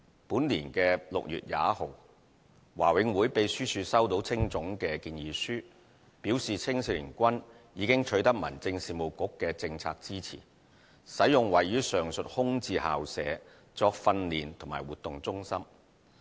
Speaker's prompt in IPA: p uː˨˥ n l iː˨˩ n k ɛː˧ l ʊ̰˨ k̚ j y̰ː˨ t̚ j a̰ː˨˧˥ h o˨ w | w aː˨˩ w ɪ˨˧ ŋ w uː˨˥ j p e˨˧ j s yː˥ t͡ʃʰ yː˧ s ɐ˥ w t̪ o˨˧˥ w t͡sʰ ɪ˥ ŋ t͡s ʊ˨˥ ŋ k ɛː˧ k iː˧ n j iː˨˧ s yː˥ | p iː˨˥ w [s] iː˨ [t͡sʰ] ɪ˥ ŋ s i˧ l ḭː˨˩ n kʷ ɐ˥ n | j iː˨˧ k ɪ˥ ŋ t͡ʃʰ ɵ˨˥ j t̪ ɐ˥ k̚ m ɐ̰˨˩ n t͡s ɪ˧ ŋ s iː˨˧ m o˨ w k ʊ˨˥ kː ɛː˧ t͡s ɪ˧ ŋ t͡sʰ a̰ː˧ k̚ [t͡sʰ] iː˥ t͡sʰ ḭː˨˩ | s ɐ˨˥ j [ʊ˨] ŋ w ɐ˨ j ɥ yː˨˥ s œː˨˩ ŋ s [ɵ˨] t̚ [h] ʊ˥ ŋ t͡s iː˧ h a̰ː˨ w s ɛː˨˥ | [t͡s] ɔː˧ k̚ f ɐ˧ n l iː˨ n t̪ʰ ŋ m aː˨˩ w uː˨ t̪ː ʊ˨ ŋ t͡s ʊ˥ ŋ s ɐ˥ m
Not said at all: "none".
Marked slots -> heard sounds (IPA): s, t͡sʰ, t͡s, ʊ˨, ɵ˨, h, t͡s

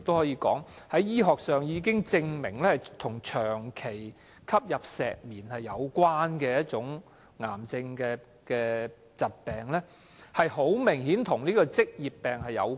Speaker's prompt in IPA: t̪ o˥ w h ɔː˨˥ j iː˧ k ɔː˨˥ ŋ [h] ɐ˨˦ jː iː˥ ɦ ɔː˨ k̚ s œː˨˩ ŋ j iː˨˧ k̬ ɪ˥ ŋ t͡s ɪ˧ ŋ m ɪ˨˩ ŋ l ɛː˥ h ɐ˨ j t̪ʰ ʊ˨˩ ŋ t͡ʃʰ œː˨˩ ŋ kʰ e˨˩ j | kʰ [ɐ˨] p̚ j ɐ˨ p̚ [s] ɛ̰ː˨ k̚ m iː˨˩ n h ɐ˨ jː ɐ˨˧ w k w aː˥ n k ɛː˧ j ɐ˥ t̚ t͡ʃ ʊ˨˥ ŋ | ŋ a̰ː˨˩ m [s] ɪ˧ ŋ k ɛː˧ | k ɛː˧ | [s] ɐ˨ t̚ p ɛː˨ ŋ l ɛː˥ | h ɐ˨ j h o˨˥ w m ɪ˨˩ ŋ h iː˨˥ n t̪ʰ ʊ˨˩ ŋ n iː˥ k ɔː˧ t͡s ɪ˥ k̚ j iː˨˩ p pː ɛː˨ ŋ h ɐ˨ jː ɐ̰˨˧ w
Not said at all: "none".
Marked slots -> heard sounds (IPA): h, ɐ˥, s, t͡s, t͡s

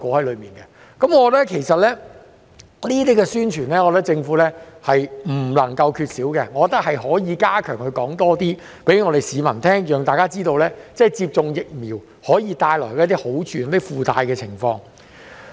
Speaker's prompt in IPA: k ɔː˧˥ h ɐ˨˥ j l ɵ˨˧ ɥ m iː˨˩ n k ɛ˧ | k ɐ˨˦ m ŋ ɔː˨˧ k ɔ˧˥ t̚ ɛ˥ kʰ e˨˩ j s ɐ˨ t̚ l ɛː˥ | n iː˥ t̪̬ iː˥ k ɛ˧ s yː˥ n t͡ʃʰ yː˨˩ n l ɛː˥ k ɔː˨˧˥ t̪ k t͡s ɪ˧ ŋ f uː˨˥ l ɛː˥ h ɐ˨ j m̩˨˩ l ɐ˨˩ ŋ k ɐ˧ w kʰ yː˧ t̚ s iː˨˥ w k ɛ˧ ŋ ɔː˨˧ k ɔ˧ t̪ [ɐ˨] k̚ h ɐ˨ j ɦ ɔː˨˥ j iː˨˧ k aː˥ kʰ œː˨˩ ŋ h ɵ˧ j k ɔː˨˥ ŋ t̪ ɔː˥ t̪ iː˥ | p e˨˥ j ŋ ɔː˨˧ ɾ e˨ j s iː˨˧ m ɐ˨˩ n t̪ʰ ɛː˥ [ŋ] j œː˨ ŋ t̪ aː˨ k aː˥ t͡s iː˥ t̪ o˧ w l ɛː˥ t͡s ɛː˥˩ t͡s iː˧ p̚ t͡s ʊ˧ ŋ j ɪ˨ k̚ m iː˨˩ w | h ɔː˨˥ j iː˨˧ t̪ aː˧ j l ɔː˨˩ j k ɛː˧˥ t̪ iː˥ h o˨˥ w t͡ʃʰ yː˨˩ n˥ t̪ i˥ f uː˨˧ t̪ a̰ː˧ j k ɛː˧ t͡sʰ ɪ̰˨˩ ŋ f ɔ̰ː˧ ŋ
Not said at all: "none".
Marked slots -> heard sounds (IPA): ɐ˥, ŋ

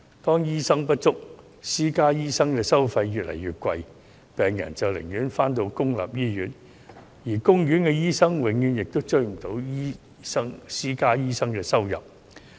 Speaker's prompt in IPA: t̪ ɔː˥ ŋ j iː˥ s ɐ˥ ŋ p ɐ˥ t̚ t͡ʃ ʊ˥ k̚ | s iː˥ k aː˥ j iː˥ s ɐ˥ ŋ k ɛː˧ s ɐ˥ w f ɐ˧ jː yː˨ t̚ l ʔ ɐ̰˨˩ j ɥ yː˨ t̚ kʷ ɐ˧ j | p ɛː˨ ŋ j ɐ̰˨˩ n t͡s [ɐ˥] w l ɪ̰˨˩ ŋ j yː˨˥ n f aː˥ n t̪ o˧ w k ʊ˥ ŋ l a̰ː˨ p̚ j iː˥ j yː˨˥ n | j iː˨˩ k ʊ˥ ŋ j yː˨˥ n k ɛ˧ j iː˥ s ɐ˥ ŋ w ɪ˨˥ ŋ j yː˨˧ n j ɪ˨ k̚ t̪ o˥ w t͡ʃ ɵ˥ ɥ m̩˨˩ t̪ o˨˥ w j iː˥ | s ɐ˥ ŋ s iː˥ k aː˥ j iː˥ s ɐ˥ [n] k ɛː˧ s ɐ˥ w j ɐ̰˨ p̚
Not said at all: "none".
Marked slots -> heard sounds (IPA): ɐ˨, ŋ

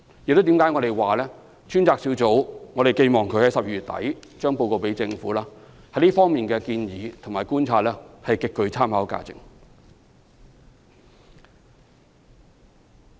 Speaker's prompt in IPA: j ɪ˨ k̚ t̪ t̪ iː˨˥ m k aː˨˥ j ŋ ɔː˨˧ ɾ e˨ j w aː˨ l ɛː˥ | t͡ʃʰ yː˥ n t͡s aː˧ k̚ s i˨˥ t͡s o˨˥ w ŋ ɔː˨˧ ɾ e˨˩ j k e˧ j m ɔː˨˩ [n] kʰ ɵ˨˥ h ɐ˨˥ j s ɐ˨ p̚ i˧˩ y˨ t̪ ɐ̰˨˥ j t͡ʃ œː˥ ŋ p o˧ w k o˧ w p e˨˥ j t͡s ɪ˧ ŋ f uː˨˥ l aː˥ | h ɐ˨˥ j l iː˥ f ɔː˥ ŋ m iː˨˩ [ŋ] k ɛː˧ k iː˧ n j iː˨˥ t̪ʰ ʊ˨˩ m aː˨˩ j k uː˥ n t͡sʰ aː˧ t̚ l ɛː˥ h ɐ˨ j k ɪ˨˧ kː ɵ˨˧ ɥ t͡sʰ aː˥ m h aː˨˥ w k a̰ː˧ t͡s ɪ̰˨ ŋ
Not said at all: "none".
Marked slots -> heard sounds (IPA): ŋ, n

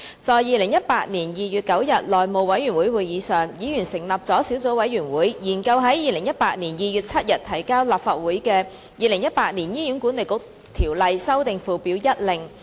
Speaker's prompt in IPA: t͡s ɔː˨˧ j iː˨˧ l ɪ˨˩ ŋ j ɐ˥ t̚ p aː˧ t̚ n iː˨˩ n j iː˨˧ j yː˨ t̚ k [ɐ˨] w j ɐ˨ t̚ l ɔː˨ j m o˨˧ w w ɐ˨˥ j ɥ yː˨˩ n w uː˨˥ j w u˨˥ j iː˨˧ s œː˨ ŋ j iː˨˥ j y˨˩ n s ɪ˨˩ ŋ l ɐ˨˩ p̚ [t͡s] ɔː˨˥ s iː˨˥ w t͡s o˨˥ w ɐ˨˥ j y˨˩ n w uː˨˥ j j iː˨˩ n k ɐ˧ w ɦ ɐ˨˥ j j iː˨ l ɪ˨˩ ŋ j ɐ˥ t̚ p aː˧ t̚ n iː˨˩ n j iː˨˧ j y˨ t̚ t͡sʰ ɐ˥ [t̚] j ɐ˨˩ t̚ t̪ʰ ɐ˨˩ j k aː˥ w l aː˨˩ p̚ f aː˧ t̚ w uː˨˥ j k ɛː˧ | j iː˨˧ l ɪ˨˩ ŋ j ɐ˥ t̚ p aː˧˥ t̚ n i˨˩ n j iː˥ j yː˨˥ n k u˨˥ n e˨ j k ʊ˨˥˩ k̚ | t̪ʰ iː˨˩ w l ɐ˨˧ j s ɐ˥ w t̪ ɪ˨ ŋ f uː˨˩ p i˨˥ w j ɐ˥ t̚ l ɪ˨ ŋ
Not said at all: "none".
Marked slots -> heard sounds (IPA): ɐ˨˥, t͡s, t̚

